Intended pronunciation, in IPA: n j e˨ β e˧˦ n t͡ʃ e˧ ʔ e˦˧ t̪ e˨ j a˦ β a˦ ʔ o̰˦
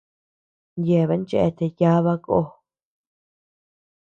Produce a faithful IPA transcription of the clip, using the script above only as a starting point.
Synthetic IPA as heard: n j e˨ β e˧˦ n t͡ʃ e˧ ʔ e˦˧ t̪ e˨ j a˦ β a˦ k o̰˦